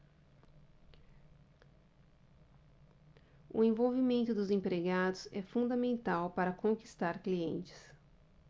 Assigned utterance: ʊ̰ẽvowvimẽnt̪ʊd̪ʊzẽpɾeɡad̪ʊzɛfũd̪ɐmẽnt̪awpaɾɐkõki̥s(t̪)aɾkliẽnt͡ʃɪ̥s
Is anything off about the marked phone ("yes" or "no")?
no